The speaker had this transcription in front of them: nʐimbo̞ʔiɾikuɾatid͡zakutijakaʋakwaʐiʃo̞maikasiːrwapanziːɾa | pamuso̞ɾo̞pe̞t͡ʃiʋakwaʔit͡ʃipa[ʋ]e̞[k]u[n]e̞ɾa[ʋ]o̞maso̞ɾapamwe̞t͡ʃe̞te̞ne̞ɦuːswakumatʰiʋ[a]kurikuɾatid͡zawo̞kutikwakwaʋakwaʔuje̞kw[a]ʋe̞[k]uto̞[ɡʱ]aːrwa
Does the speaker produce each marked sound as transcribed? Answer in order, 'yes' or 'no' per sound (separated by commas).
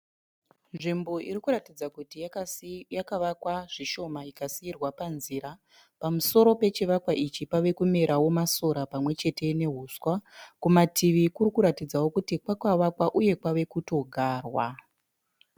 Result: yes, yes, no, no, no, yes, yes, yes